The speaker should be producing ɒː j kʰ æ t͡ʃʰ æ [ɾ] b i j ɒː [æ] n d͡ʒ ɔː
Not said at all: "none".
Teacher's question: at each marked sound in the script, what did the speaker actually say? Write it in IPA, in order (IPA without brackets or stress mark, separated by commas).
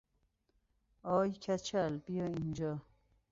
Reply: l, i